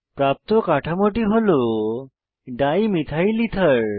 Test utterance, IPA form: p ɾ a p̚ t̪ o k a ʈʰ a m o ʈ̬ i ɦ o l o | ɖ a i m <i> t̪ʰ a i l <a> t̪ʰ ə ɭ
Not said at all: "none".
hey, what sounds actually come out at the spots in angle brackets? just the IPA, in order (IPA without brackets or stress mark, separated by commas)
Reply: i, i